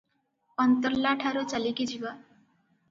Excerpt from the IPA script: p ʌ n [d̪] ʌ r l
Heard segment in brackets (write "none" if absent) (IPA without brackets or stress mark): t̪